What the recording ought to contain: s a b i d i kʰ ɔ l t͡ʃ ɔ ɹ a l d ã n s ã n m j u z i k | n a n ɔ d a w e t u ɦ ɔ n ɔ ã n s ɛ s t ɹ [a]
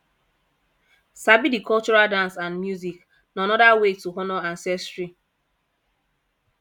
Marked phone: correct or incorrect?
incorrect: i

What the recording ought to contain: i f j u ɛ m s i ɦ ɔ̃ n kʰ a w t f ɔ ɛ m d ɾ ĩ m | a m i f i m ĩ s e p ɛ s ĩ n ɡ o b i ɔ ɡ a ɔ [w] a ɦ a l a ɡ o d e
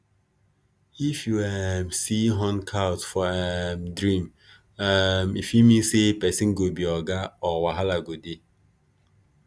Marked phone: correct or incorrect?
correct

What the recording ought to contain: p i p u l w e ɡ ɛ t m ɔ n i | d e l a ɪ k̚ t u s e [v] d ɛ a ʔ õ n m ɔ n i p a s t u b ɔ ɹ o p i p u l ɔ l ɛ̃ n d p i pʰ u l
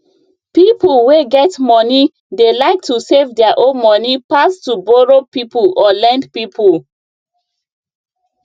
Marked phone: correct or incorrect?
correct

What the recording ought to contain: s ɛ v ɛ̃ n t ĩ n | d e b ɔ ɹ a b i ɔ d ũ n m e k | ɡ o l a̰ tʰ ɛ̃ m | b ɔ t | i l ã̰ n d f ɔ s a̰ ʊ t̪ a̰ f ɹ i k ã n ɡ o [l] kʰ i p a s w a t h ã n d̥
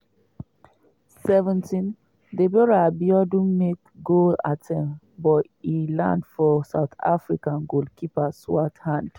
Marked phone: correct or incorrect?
correct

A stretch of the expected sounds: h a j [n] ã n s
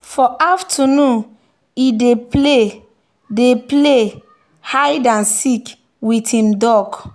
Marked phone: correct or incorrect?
incorrect: d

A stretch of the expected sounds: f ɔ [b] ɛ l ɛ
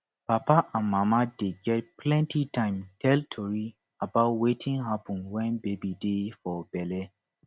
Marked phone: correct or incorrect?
correct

